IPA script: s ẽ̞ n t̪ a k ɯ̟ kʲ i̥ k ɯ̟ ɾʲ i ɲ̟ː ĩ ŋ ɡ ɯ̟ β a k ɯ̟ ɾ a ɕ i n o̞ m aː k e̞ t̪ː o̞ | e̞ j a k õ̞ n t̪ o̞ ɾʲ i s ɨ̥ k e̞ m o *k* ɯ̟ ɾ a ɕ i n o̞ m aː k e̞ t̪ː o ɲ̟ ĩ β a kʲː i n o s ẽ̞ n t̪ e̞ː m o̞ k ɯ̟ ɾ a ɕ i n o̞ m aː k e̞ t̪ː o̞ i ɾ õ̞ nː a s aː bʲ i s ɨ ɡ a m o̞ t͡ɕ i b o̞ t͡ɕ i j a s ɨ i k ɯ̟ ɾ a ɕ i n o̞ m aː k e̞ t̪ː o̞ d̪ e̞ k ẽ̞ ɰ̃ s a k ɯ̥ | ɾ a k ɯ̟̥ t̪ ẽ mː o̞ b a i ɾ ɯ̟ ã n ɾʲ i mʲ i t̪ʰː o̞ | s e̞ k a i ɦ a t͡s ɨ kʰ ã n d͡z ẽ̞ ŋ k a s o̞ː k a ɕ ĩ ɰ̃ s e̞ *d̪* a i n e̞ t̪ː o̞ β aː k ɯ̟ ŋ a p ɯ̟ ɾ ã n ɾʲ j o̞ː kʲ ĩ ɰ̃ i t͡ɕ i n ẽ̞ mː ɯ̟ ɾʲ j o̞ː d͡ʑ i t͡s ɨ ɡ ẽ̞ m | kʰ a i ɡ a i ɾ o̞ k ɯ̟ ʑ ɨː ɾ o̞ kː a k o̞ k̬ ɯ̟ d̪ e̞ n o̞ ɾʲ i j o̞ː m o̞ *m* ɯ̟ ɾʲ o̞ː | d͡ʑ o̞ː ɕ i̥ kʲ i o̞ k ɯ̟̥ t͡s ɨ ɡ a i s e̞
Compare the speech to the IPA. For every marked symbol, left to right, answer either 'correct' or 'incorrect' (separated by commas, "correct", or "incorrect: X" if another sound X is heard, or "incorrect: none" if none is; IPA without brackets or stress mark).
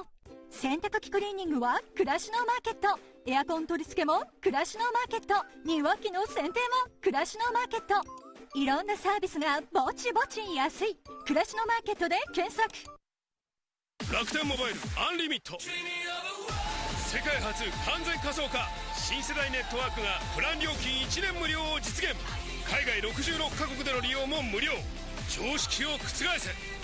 correct, correct, correct